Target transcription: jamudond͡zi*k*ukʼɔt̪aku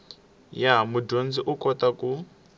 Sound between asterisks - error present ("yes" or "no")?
yes